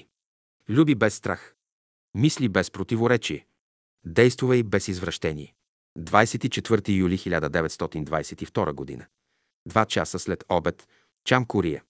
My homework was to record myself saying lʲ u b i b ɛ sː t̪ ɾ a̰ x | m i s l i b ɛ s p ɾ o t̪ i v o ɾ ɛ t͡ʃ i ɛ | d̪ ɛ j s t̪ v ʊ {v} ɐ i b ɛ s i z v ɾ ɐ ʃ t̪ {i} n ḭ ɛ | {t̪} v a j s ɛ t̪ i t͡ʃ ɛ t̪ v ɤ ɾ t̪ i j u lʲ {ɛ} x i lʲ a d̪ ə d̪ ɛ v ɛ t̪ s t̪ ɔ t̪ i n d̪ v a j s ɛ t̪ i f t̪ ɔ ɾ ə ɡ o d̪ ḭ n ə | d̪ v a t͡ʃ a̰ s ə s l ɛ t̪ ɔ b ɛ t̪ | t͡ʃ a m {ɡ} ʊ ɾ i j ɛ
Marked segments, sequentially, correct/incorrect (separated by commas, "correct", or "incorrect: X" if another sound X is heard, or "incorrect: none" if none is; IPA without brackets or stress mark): correct, incorrect: ɛ, incorrect: d̪, incorrect: i, incorrect: k